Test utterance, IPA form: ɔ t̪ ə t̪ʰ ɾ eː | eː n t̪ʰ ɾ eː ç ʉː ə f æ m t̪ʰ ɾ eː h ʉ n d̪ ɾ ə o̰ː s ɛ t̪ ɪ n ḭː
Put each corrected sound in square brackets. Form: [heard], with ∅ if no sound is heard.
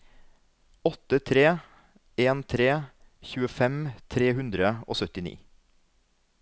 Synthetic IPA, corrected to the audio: ɔ t̪ ə t̪ʰ ɾ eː | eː n t̪ʰ ɾ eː ç ʉː ə f [ɛ] m t̪ʰ ɾ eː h ʉ n d̪ ɾ ə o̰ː s [œ] t̪ ɪ n ḭː